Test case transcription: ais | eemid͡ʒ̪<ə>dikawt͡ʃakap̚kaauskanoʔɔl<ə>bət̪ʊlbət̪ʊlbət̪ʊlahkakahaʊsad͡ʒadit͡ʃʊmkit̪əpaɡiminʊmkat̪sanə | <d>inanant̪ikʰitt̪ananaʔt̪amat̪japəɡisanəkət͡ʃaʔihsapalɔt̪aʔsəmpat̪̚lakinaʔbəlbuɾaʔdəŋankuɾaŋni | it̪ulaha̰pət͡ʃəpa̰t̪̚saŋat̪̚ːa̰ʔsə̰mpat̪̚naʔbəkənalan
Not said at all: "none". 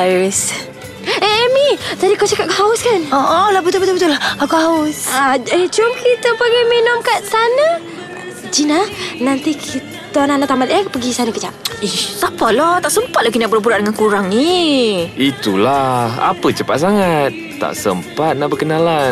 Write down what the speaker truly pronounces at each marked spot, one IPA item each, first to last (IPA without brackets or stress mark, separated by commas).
a, a, d͡ʒ